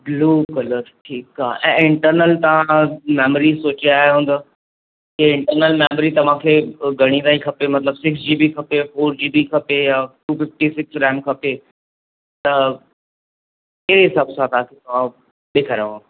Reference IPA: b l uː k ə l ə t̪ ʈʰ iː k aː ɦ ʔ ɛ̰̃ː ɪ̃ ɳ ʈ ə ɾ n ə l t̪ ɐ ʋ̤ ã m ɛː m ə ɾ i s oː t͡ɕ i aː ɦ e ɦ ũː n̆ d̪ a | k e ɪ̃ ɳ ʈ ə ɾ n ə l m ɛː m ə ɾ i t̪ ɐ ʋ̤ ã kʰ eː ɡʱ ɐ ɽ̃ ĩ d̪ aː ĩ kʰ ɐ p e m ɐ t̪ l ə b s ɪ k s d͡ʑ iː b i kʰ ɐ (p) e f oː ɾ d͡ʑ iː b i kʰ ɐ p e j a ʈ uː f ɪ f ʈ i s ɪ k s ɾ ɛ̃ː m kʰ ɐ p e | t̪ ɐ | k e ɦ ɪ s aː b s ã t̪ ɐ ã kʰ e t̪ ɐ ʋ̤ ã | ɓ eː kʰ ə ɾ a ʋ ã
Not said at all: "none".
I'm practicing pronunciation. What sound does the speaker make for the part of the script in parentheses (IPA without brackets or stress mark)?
p